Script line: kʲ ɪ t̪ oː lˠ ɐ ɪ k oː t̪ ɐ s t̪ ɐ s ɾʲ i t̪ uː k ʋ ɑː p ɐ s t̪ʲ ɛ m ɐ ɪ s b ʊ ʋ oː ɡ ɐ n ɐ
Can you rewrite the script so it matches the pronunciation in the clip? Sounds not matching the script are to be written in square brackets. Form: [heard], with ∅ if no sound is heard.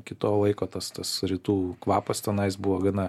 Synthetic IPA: kʲ ɪ t̪ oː lˠ ɐ ɪ k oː t̪ ɐ s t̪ ɐ s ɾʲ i t̪ uː k ʋ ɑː p ɐ s t̪ʲ ɛ [n] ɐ ɪ s b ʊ ʋ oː ɡ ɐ n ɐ